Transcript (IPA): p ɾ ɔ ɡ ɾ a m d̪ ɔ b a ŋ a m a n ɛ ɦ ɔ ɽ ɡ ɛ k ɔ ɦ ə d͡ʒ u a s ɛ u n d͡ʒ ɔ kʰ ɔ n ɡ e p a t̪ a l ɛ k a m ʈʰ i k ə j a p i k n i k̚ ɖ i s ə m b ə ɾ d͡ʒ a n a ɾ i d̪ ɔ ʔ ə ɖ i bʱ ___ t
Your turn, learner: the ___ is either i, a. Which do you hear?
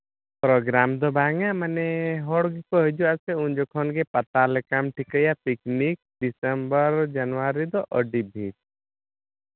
i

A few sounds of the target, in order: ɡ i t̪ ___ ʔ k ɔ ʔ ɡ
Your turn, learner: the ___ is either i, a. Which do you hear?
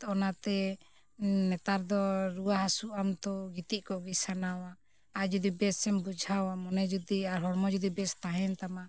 i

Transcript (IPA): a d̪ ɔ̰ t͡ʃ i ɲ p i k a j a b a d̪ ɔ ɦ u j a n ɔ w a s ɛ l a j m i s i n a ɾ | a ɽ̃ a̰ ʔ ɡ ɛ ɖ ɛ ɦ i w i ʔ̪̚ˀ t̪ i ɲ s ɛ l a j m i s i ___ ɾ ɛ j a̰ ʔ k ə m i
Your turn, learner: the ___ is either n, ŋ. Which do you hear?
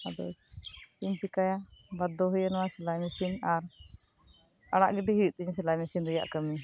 n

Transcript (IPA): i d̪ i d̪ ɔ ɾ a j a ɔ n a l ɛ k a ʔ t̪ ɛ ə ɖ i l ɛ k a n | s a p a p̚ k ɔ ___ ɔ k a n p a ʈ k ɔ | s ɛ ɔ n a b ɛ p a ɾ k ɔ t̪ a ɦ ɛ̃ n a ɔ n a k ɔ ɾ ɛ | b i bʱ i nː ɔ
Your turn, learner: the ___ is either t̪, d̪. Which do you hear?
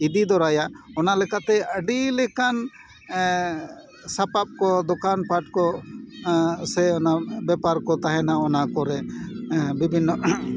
d̪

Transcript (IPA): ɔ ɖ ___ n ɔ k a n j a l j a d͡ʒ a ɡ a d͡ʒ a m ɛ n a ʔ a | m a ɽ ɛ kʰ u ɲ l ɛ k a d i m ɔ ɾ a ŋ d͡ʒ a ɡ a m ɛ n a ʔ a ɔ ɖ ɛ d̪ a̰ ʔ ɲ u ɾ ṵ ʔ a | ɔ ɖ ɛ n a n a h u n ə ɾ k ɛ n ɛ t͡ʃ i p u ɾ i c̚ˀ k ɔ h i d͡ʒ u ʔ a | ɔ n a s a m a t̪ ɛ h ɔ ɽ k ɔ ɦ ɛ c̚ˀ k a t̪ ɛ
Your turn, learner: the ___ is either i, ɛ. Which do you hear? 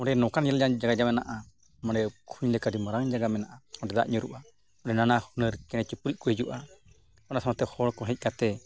ɛ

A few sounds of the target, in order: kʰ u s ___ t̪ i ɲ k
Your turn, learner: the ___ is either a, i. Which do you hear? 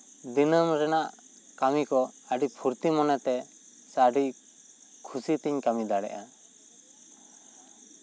i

